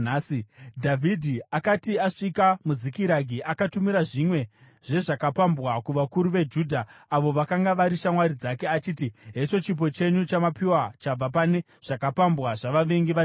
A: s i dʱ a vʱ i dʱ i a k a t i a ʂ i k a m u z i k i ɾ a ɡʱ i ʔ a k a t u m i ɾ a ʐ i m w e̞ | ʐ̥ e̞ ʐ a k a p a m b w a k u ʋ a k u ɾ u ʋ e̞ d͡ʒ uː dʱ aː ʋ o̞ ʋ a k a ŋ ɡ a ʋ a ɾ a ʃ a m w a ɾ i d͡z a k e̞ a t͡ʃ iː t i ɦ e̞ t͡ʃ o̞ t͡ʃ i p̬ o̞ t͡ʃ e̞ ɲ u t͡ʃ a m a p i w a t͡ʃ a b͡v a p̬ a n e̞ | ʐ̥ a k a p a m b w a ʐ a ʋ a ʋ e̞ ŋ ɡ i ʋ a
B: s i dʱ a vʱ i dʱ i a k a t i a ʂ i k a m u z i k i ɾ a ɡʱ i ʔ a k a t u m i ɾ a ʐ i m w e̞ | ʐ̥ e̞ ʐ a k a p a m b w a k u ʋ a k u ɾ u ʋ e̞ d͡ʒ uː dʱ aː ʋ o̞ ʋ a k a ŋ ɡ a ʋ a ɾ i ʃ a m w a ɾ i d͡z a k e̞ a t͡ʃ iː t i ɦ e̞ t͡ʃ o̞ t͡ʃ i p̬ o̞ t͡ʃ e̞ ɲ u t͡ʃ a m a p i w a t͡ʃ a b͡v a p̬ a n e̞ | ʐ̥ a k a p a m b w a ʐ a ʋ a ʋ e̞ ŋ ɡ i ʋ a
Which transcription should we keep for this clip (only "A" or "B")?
B